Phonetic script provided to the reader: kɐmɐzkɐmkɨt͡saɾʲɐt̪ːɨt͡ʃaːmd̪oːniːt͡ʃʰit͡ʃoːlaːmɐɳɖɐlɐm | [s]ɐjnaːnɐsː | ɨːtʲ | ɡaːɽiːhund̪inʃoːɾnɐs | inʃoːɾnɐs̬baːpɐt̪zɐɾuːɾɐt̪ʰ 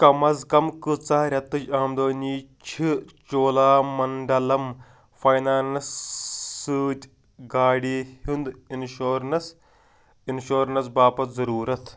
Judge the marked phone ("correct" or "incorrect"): incorrect